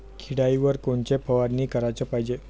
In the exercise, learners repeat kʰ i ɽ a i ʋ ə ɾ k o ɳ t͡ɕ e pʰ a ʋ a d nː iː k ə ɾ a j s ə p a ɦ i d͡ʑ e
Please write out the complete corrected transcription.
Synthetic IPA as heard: kʰ i ɽ a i ʋ ə ɾ k o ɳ t͡ɕ e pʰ ə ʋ a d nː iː k ə ɾ a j t͡s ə p a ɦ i d͡ʑ e